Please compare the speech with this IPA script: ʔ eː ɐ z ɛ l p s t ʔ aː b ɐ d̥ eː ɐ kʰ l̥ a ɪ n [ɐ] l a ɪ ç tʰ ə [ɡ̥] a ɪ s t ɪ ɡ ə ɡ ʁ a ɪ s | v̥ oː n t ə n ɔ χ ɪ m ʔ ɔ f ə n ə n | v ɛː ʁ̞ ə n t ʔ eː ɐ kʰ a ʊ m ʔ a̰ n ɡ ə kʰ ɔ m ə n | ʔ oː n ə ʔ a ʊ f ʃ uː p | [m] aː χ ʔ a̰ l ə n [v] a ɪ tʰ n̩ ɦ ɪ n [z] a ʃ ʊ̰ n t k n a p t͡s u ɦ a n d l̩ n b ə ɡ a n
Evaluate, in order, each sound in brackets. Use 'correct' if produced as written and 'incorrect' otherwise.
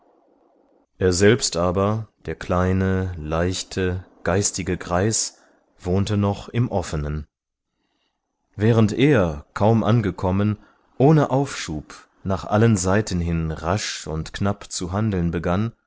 incorrect: ə, correct, incorrect: n, incorrect: z, incorrect: ʁ

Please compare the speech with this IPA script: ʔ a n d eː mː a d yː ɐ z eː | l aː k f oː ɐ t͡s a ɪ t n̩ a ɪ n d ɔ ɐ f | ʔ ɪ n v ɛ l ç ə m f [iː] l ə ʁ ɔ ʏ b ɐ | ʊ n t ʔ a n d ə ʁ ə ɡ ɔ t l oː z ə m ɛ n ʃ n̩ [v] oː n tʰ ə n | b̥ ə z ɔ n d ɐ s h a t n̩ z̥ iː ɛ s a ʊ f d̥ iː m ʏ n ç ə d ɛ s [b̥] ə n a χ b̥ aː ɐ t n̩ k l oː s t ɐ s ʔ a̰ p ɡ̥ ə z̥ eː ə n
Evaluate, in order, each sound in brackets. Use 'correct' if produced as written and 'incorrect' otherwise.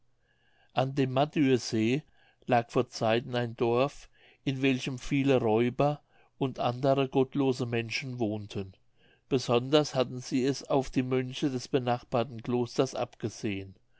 correct, correct, correct

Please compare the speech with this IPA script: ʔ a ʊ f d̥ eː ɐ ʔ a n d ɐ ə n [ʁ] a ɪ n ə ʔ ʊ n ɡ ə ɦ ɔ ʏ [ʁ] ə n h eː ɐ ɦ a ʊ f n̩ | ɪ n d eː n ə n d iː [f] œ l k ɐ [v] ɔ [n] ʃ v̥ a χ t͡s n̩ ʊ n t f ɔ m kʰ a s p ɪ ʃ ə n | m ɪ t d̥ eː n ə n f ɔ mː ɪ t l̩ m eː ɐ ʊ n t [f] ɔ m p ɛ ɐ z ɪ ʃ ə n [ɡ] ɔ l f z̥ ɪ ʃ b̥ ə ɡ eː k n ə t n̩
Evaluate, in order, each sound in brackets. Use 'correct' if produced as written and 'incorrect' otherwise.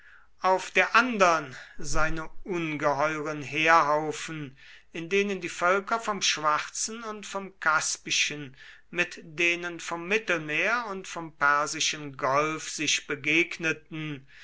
incorrect: z, correct, correct, incorrect: f, incorrect: m, correct, correct

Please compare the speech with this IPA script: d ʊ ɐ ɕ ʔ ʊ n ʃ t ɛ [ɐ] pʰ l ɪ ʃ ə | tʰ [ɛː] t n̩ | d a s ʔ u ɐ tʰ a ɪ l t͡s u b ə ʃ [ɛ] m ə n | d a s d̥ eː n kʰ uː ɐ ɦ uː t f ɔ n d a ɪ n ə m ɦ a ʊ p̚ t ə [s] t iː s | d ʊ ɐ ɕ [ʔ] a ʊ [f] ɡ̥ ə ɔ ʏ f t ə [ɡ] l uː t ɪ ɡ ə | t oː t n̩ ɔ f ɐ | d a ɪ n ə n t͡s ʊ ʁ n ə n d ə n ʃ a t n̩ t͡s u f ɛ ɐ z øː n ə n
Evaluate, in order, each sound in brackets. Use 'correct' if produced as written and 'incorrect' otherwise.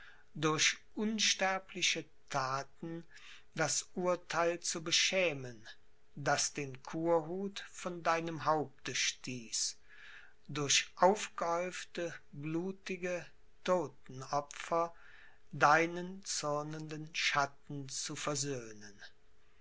correct, incorrect: aː, incorrect: ɛː, incorrect: ʃ, correct, correct, incorrect: b

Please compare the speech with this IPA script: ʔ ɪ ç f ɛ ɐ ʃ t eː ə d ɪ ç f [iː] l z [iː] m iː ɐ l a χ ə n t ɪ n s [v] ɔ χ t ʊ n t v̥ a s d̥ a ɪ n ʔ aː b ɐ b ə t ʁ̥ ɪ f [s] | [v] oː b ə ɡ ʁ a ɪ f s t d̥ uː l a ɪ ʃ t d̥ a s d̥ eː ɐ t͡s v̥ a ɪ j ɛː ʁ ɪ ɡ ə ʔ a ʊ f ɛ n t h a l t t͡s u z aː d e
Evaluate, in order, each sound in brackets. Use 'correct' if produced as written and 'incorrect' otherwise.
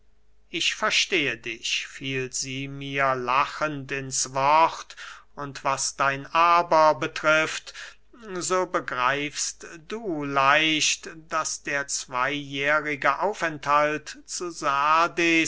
correct, correct, correct, incorrect: t, incorrect: z

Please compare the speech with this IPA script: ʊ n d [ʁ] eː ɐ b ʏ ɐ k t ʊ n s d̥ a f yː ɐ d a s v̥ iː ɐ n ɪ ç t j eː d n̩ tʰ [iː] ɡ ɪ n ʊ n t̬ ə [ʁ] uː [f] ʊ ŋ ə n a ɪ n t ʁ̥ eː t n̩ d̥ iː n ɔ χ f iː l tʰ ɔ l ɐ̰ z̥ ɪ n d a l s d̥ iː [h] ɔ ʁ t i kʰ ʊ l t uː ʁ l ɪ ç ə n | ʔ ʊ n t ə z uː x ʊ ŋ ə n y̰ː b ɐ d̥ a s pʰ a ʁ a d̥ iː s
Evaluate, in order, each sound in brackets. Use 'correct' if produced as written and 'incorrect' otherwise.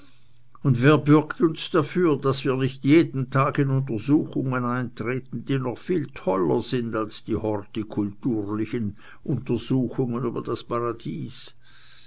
incorrect: v, incorrect: aː, incorrect: z, incorrect: x, correct

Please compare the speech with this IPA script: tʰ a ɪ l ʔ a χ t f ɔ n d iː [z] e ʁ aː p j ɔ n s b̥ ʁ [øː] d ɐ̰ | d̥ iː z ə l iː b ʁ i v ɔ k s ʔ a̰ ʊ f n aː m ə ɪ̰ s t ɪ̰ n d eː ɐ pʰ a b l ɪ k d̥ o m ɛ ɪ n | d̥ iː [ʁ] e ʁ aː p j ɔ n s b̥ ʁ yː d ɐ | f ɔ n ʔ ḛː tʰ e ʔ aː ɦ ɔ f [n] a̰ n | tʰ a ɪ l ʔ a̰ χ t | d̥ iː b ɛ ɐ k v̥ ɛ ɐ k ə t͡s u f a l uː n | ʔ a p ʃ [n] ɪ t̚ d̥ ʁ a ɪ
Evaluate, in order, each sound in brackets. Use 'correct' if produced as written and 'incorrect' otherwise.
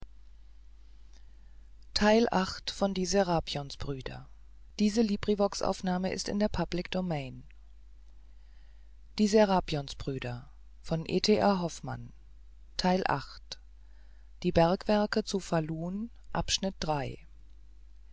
correct, incorrect: yː, incorrect: z, incorrect: m, correct

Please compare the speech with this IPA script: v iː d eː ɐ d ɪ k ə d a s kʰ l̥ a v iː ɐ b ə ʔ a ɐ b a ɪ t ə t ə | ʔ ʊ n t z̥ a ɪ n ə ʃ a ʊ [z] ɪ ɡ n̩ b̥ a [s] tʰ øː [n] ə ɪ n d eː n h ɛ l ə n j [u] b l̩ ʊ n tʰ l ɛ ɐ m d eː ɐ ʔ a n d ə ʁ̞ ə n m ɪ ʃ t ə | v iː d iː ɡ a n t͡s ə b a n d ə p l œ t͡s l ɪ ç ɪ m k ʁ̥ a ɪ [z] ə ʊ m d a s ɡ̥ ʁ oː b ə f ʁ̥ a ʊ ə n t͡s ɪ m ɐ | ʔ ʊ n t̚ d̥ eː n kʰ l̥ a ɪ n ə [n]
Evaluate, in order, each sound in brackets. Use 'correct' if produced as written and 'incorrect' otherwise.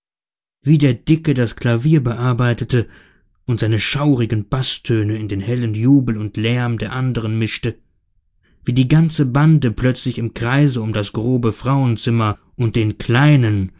incorrect: ʁ, correct, correct, incorrect: uː, correct, correct

